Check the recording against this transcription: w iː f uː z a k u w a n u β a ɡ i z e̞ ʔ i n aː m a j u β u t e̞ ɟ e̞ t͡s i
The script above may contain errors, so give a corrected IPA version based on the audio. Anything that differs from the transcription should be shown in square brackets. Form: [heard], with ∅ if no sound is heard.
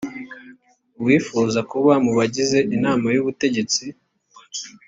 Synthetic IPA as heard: w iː f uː z a k u [β] a [m] u β a [ɟ] i z e̞ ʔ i n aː m a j u β u t e̞ ɟ e̞ t͡s i